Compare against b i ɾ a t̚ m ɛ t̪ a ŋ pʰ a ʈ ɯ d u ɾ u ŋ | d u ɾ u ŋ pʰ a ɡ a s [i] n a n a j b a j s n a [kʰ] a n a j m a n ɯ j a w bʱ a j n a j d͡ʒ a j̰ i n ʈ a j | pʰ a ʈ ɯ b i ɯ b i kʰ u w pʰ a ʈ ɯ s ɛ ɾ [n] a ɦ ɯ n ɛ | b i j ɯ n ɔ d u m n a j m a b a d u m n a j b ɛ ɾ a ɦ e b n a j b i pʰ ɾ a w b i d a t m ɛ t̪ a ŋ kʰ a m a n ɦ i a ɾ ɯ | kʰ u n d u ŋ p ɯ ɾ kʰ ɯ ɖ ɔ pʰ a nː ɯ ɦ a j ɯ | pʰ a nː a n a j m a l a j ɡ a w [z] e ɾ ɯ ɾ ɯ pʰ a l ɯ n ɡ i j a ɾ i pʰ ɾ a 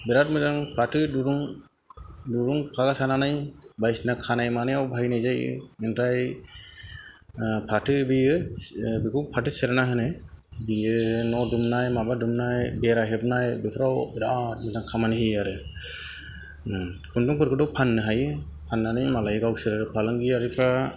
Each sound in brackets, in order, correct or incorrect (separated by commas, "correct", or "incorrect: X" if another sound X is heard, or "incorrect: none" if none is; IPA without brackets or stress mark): incorrect: a, correct, correct, incorrect: s